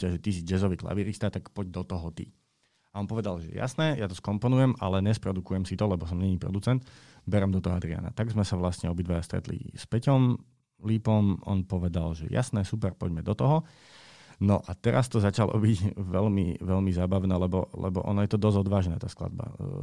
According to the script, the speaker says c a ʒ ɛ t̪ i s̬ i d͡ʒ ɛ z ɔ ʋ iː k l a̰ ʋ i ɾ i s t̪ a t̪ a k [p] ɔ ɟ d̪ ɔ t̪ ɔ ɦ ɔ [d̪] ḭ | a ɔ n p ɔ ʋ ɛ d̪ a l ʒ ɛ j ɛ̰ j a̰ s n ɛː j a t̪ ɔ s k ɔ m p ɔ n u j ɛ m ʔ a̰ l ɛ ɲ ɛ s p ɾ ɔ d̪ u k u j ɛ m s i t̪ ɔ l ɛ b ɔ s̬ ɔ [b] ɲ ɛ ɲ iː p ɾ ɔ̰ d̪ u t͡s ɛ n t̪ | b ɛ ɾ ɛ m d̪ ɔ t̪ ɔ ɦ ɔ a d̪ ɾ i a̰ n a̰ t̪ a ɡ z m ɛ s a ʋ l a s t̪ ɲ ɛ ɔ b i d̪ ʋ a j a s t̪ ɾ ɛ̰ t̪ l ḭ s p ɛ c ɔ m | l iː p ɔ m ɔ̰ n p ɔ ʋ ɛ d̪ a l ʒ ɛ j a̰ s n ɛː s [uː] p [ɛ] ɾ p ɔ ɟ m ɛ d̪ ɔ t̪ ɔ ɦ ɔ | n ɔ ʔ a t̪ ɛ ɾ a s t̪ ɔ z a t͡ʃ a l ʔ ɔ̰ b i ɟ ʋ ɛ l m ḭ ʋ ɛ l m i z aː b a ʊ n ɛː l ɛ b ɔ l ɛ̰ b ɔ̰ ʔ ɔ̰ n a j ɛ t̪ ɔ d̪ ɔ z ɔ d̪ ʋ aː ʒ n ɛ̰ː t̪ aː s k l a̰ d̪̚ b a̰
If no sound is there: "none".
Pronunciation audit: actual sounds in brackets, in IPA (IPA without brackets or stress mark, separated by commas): p, t̪, m, u, ɛ